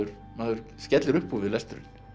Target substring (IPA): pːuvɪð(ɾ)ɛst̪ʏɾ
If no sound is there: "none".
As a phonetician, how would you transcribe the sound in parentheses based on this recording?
l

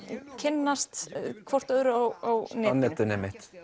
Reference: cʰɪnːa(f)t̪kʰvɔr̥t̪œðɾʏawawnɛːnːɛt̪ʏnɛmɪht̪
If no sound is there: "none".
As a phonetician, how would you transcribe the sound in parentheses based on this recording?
s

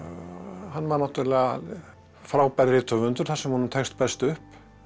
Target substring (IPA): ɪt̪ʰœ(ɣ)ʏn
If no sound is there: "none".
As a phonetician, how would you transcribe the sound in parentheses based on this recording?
v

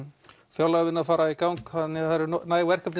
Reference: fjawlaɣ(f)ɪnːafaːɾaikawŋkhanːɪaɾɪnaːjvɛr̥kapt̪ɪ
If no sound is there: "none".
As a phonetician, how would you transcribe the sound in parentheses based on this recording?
v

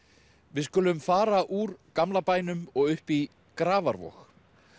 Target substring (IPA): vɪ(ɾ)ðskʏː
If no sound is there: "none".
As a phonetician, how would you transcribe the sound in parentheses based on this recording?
none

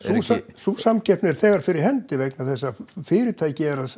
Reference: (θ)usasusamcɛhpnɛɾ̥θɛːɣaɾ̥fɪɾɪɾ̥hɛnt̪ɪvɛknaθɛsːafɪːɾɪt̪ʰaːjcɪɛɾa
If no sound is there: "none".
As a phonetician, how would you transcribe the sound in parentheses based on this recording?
s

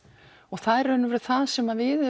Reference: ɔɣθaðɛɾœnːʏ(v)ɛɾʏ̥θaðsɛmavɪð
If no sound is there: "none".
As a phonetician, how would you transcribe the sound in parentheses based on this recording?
v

